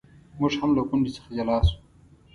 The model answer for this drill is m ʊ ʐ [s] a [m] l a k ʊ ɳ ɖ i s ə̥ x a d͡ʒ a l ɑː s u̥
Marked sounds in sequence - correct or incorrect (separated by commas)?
incorrect, correct